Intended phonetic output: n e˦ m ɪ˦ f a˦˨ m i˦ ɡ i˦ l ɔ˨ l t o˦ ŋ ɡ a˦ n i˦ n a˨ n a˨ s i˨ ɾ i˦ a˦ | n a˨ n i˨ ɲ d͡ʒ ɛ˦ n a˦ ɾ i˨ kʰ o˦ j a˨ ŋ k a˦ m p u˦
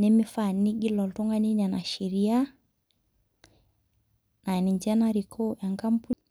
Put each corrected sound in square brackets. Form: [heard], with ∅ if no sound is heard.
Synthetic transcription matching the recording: n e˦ m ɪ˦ f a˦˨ [n] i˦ ɡ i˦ l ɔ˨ l t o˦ ŋ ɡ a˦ n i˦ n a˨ n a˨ [ʃ] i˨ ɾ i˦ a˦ | n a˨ n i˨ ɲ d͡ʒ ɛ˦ n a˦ ɾ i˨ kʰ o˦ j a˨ ŋ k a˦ m p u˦